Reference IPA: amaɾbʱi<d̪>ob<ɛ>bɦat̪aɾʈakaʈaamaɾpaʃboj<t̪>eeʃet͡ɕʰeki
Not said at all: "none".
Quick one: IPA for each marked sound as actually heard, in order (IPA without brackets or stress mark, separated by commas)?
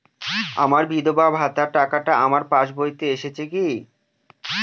d̪, a, t̪